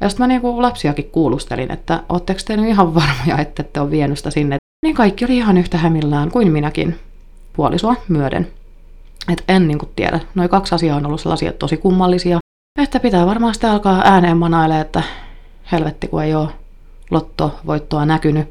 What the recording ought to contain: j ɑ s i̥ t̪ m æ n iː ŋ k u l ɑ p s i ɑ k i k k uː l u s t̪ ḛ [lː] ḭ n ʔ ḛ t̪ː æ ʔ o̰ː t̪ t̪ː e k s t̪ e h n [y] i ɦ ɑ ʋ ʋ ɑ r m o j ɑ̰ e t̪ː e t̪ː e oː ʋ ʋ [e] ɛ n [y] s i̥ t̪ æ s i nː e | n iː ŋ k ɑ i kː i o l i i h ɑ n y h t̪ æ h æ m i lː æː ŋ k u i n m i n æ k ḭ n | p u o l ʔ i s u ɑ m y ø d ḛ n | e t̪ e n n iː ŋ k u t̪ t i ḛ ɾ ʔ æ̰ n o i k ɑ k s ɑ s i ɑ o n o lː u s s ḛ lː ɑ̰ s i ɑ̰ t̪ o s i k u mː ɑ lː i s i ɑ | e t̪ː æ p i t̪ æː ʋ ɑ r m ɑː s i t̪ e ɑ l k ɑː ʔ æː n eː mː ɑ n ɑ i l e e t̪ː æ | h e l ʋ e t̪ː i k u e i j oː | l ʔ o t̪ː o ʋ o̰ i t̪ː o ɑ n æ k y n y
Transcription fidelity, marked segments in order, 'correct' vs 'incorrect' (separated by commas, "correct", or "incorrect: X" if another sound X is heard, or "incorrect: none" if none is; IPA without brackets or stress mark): incorrect: l, correct, incorrect: i, correct